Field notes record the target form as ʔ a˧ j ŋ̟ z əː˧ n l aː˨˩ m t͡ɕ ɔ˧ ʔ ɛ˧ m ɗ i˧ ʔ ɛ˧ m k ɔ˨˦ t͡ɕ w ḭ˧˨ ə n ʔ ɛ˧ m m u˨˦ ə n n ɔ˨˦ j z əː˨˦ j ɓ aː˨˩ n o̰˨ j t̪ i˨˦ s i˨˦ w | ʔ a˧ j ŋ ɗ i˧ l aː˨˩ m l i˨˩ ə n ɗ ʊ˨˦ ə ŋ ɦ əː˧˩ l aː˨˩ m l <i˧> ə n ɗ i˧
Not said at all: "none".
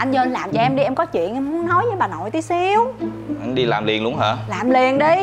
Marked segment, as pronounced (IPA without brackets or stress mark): i˨˩